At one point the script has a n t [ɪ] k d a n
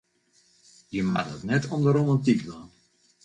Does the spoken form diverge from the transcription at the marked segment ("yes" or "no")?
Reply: yes